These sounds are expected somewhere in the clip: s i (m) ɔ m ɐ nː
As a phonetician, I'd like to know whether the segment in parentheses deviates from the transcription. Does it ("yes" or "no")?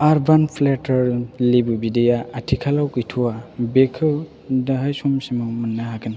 no